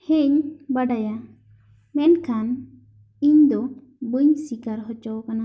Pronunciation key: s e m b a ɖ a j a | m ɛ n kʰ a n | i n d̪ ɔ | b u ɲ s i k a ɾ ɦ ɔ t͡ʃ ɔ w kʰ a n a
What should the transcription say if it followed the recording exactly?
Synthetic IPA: h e ɲ b a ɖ a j a | m ɛ n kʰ a n | i ɲ d̪ ɔ | b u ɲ s i k a ɾ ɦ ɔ t͡ʃ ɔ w k a n a

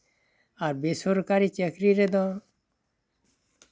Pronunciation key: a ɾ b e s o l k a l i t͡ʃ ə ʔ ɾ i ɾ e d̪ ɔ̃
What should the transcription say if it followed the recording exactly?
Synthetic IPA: a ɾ b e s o ɾ k a ɾ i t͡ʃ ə k ɾ i ɾ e d̪ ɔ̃

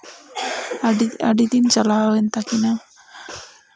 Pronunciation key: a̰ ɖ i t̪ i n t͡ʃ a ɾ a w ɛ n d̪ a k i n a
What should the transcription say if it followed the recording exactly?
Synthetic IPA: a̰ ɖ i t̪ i n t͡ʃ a l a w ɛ n t̪ a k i n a

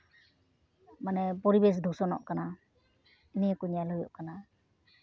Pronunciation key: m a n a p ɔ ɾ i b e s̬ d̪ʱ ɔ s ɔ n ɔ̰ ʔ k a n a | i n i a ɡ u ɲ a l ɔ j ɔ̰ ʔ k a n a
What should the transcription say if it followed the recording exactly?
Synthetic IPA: m a n ɛ p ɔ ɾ i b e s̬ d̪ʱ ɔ s ɔ n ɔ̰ ʔ k a n a | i n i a k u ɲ a l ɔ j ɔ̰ ʔ k a n a

